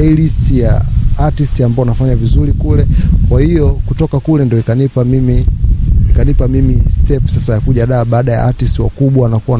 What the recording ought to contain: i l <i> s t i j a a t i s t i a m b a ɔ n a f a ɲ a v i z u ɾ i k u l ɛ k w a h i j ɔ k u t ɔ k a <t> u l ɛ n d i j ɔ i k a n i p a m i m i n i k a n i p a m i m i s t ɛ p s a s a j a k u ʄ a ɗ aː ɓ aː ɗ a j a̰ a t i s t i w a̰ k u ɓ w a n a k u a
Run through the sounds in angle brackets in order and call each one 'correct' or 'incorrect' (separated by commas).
correct, incorrect